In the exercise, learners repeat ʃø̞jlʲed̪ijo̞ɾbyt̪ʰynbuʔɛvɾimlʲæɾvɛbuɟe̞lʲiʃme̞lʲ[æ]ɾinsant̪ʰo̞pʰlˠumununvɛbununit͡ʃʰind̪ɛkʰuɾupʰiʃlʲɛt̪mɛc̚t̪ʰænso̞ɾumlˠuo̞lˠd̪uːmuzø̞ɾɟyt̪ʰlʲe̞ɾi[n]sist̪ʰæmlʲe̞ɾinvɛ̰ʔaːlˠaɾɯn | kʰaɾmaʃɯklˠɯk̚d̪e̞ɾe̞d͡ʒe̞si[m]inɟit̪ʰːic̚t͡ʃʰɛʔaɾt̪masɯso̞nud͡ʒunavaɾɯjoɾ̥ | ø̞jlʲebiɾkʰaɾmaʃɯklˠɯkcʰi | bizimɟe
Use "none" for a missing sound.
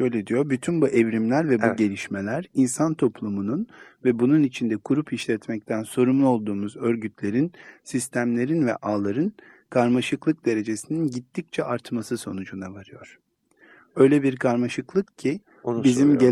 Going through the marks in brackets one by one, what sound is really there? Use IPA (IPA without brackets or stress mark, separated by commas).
æ, n, n